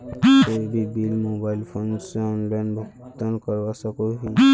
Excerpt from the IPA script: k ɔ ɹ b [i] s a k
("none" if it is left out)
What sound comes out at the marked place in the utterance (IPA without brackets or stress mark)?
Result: a